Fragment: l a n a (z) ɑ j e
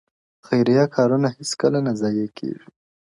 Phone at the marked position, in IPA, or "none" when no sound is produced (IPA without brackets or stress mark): z